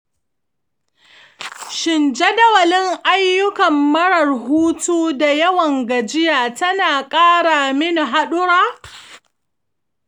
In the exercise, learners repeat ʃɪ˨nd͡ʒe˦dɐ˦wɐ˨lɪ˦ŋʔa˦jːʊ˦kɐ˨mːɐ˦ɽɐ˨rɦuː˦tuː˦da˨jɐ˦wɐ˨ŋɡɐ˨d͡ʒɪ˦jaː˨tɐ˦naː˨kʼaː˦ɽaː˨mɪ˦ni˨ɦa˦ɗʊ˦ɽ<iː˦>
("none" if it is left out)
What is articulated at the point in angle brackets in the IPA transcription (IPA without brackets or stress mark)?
aː˦